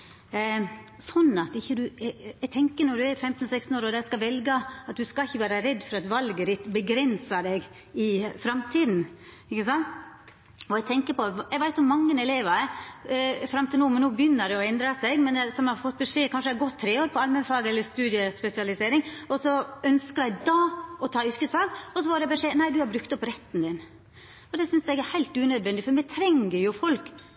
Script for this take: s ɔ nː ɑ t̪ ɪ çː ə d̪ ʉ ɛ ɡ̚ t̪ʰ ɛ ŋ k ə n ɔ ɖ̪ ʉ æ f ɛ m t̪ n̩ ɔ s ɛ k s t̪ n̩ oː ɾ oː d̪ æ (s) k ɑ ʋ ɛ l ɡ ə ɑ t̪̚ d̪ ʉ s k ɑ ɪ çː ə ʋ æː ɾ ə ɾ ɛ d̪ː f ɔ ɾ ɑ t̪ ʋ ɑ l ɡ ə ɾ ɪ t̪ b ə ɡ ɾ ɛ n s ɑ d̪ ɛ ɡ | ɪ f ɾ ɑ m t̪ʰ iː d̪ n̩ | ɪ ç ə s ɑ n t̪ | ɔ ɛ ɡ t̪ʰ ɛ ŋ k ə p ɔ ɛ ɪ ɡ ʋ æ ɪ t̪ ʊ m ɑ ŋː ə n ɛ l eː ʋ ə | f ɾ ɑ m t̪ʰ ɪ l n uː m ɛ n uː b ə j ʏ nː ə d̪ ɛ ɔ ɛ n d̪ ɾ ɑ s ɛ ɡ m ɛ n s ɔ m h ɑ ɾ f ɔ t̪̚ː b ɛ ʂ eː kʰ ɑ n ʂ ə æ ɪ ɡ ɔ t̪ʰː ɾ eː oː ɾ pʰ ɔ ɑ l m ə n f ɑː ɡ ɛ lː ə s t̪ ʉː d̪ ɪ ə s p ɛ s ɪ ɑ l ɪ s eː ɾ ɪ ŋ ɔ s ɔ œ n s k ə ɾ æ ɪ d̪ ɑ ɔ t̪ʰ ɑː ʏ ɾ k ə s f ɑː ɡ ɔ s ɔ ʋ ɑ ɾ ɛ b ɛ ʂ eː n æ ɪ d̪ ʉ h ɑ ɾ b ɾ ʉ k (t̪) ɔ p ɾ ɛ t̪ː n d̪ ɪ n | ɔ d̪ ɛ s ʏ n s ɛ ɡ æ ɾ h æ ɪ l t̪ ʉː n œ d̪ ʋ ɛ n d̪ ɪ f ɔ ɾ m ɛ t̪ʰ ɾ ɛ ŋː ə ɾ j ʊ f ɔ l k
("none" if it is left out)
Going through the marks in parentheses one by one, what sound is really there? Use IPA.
s, t̪

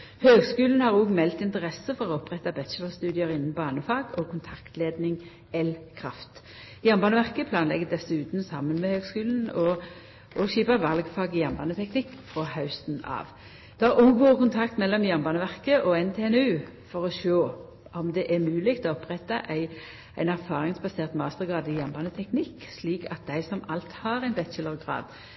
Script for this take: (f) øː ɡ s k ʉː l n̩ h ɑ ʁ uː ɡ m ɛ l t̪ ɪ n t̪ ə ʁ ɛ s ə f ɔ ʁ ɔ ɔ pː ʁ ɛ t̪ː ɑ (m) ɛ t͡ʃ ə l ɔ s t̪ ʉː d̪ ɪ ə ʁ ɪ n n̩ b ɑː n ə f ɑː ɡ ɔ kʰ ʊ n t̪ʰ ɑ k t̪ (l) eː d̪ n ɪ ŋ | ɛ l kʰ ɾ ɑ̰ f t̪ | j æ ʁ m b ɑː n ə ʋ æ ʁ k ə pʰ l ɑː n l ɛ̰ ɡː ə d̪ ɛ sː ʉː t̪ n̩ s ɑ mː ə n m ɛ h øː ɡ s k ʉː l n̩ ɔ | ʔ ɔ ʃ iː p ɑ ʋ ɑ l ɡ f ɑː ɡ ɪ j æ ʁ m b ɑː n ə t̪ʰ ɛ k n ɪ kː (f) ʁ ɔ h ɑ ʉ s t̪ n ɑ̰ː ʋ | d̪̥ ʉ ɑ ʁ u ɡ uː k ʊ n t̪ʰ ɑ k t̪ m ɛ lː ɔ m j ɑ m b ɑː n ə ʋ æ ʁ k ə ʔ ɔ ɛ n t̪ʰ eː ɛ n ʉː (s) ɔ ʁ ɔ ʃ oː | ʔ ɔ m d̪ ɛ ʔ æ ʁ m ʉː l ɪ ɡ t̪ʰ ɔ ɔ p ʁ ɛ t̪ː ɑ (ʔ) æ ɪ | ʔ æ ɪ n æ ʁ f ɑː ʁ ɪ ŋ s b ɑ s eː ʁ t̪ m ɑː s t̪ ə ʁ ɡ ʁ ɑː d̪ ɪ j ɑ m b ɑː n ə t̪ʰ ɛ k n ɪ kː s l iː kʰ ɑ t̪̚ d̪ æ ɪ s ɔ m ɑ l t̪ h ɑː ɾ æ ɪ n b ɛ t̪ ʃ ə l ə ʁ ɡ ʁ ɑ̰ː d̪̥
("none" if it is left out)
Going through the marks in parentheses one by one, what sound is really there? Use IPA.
h, b, l, f, f, ʔ

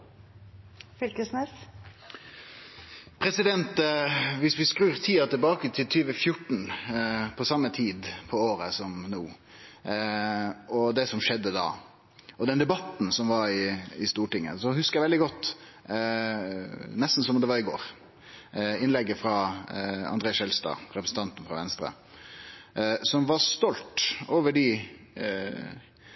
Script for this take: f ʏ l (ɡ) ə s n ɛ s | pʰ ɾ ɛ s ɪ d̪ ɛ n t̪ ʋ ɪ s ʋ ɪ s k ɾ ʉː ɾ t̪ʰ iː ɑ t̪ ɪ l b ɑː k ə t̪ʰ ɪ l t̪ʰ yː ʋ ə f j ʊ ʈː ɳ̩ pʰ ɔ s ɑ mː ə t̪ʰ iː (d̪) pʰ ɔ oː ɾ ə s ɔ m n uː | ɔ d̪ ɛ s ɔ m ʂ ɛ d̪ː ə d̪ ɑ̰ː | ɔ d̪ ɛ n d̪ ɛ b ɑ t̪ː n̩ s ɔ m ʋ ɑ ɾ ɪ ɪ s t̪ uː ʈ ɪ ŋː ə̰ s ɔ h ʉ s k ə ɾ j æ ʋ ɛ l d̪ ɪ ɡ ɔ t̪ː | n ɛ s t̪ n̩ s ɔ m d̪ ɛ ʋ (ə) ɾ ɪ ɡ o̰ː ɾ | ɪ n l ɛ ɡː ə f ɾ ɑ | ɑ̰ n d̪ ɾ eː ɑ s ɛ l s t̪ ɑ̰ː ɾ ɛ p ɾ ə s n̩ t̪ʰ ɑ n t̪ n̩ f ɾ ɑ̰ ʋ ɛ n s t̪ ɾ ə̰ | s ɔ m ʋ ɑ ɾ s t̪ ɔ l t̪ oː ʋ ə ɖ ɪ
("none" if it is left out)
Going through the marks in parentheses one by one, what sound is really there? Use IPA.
k, d̪, ɑ

